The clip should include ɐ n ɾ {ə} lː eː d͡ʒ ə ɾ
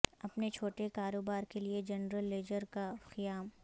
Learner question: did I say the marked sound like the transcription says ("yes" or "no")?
yes